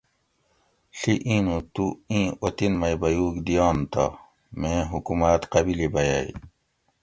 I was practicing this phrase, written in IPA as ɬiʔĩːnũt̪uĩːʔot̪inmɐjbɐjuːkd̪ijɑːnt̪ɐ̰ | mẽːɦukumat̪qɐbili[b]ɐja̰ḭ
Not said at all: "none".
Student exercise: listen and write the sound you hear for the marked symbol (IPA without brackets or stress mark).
b